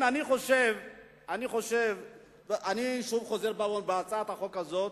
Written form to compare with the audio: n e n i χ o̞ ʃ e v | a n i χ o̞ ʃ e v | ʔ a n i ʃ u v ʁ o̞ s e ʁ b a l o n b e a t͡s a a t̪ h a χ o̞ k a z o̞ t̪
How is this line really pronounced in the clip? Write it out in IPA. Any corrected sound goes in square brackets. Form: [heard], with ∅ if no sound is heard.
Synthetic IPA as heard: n [a] n i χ o̞ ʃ e v | a n i χ o̞ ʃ e v | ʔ a n i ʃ u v [χ] o̞ [z] e ʁ b a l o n b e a t͡s a a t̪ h a χ o̞ k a z o̞ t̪